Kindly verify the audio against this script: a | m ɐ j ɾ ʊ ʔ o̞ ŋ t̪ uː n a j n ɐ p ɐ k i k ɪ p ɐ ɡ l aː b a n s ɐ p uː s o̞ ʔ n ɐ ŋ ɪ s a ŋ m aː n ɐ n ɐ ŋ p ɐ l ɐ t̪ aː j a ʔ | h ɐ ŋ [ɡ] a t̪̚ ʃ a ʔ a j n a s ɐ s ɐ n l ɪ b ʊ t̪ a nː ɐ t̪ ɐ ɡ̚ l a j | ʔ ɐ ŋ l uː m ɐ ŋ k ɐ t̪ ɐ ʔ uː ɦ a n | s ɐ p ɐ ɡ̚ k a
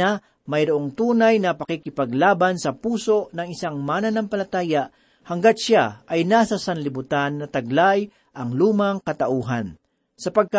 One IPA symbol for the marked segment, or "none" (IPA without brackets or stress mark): ɡ